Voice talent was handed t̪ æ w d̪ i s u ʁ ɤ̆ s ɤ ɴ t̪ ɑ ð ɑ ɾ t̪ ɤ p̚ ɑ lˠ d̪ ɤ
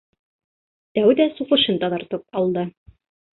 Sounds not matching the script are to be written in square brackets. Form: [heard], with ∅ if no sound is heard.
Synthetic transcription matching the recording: t̪ æ w d̪ [æ] s u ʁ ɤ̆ [ʃ] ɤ [n] t̪ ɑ ð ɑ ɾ t̪ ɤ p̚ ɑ lˠ d̪ ɤ